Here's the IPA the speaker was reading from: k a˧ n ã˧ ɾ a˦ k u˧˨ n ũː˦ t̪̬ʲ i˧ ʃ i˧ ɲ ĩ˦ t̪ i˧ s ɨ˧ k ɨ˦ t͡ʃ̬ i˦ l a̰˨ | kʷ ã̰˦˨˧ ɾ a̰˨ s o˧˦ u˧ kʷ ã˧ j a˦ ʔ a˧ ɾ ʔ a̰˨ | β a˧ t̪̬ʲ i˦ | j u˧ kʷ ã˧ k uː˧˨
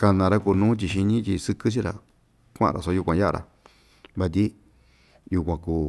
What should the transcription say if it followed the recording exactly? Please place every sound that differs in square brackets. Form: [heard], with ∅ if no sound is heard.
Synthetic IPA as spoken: k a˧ n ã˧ ɾ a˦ k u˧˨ n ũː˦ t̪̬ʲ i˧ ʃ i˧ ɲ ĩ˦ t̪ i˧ s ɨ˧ k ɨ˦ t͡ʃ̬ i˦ [ɾ] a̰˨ | kʷ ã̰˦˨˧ ɾ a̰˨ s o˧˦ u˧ kʷ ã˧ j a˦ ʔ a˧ ɾ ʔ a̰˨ | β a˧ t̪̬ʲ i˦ | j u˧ kʷ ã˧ k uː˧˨